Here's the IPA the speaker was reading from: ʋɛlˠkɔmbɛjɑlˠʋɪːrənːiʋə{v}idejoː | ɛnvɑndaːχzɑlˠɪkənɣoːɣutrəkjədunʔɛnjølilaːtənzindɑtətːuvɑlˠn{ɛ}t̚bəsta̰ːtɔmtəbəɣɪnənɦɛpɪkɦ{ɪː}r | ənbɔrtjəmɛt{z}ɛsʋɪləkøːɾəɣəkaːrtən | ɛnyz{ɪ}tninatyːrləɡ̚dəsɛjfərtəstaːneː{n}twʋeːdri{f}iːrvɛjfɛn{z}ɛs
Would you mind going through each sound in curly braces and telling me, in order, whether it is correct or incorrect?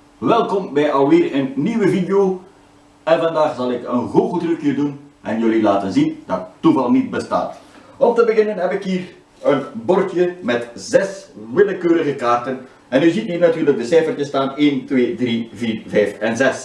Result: correct, incorrect: i, incorrect: iː, correct, incorrect: i, correct, incorrect: v, correct

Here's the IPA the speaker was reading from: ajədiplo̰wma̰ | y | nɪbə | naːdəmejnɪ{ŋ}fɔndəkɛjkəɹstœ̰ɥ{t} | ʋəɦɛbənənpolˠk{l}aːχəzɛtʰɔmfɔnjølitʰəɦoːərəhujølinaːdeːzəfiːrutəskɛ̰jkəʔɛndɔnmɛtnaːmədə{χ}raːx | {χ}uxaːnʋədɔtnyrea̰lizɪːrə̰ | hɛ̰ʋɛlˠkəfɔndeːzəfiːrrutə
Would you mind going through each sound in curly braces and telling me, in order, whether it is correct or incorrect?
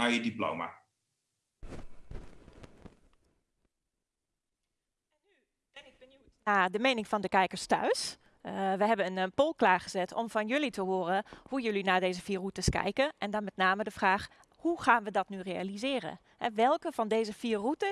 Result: correct, incorrect: s, correct, incorrect: f, incorrect: h

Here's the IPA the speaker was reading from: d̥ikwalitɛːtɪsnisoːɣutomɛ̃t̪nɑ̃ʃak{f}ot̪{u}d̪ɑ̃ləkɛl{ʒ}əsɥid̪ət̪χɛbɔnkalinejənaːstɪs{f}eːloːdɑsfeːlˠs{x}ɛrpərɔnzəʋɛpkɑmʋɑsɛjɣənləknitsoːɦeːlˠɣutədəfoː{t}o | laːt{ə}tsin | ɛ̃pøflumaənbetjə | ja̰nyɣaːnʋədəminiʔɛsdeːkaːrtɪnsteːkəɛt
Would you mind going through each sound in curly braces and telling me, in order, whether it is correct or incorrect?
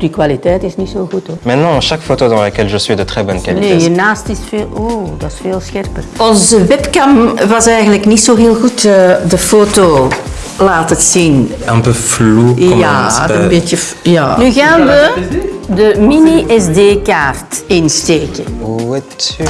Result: correct, incorrect: o, correct, correct, correct, correct, correct

